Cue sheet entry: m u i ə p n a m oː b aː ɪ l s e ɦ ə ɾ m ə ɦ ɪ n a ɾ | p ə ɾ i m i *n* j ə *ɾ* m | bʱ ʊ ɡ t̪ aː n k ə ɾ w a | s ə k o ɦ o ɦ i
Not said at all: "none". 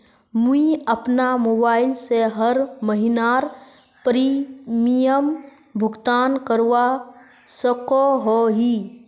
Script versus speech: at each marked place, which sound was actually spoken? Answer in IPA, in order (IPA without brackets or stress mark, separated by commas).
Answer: none, none